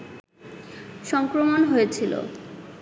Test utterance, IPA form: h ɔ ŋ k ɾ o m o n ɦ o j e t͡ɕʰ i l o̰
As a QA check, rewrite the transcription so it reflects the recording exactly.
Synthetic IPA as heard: ʃ ɔ ŋ k ɾ o m o n ɦ o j e t͡ɕʰ i l o̰